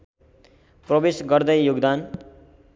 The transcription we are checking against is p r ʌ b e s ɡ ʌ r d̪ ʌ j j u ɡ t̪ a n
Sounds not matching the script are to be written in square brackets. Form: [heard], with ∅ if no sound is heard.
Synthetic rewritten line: p r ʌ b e s ɡ ʌ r d̪ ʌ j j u ɡ [d̪] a n